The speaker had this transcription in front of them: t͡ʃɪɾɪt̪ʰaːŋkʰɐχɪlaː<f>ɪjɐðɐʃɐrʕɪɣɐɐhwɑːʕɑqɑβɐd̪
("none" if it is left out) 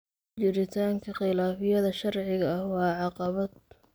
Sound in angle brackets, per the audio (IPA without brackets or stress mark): f